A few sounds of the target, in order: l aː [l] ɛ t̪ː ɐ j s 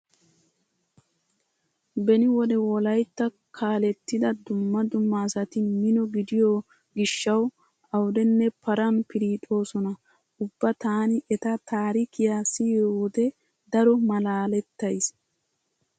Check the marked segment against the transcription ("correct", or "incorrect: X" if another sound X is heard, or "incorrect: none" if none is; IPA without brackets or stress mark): correct